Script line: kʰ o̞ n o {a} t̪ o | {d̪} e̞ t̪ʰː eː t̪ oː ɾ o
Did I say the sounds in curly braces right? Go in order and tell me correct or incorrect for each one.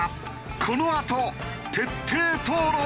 correct, incorrect

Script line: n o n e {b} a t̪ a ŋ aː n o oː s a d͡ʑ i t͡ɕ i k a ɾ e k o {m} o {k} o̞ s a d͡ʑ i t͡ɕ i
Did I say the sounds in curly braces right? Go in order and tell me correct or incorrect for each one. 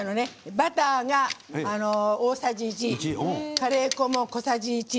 correct, correct, correct

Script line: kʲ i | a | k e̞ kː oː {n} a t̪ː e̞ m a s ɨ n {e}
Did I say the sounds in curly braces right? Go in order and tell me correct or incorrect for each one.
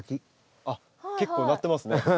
correct, correct

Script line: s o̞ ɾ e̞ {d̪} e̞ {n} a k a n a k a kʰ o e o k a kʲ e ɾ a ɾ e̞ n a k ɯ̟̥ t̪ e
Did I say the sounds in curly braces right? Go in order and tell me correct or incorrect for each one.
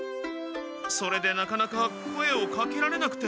correct, correct

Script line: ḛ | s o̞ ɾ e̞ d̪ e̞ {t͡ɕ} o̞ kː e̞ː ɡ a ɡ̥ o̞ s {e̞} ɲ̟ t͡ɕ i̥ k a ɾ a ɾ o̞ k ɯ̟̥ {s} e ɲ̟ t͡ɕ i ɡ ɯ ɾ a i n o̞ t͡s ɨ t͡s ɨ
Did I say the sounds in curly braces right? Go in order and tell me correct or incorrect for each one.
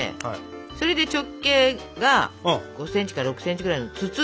correct, incorrect, correct

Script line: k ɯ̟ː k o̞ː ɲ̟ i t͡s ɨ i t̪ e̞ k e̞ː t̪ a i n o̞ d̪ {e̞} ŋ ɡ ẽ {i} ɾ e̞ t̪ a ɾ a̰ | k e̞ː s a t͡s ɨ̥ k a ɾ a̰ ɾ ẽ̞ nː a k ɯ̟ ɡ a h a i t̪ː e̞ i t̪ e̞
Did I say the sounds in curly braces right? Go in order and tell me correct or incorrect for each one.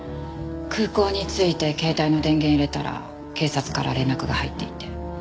incorrect, correct

